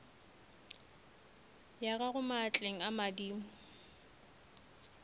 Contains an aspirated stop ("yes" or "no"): no